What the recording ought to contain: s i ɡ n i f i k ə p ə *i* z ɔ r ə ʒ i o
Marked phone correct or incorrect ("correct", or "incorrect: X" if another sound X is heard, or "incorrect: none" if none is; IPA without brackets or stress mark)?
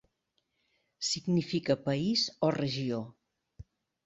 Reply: correct